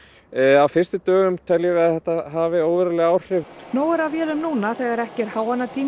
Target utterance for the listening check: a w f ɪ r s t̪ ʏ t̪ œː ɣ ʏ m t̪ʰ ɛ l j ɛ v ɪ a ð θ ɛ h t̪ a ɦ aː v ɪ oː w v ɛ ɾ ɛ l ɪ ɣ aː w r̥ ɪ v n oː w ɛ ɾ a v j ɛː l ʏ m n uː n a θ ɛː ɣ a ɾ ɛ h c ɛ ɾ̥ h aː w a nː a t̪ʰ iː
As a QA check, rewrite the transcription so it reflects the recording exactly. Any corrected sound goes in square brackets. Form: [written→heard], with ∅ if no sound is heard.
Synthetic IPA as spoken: a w f ɪ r s t̪ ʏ t̪ œː ɣ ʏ m t̪ʰ ɛ l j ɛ v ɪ a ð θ ɛ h t̪ a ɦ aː v ɪ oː w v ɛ ɾ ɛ l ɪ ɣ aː w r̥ ɪ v n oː w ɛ ɾ a v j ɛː l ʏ m n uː n a θ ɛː ɣ a ɾ ɛ h c ɛ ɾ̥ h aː w a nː a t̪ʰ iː